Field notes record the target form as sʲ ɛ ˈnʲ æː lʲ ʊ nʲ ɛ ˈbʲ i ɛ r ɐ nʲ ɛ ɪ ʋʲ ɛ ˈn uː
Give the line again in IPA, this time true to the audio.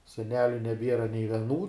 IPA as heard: sʲ ɛ ˈnʲ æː lʲ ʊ nʲ ɛ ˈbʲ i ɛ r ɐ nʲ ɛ ɪ ʋʲ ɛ ˈn uː